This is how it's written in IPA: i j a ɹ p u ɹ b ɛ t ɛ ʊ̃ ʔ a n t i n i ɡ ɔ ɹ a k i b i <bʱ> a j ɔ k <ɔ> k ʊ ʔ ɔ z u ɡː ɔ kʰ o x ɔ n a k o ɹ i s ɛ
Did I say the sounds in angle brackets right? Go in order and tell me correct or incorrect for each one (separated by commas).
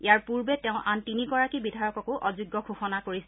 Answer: incorrect, correct